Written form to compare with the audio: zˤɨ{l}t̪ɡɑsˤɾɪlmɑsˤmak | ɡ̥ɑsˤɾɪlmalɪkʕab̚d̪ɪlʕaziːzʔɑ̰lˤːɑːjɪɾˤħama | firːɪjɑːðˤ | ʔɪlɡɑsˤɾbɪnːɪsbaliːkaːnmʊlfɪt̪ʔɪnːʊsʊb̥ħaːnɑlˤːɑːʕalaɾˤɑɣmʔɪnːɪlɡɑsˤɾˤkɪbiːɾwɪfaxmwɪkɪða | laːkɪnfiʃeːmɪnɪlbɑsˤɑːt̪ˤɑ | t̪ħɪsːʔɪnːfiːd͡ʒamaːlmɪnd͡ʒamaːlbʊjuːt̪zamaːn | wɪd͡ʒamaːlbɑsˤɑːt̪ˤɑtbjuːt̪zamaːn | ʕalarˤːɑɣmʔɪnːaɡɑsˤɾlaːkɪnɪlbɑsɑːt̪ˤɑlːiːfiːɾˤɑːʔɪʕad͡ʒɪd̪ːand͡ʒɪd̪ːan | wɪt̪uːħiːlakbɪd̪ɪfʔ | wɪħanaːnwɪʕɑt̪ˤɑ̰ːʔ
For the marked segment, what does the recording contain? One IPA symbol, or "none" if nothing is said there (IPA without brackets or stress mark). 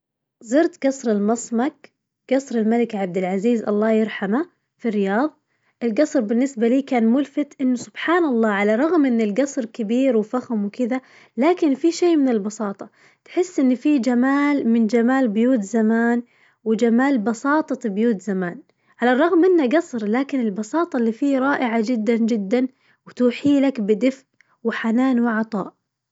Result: ɾ